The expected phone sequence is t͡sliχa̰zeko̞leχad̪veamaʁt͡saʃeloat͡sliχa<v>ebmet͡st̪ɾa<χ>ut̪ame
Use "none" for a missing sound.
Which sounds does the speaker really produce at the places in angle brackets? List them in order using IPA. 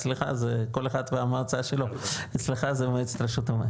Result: z, ʃ

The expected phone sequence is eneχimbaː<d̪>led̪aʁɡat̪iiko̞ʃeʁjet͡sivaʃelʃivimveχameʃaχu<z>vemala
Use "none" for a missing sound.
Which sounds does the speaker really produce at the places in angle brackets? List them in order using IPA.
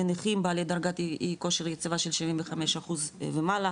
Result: none, z

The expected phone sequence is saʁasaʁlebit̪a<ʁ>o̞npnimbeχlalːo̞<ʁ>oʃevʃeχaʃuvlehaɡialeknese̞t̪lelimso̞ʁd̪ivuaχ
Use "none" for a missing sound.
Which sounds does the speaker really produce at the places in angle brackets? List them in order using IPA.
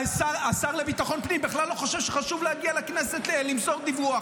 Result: χ, χ

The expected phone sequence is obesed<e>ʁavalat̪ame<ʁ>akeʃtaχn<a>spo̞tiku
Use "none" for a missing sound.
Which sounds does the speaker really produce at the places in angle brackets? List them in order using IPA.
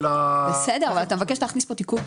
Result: e, v, i

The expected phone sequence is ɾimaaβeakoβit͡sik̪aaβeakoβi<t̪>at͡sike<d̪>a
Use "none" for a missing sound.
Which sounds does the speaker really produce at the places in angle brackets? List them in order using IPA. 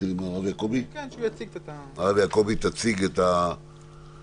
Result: t̪, t̪

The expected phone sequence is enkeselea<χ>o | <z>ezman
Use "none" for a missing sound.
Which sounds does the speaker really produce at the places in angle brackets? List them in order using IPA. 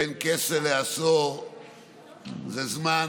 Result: s, z

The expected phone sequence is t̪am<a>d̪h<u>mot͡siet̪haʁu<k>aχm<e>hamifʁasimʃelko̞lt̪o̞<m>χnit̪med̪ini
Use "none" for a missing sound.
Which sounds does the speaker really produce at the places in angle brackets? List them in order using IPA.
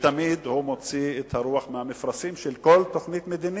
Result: i, u, none, e, none

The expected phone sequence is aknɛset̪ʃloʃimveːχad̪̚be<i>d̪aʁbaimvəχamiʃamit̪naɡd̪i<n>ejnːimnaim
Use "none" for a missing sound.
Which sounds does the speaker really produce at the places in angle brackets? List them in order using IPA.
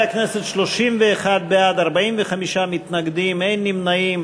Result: a, m

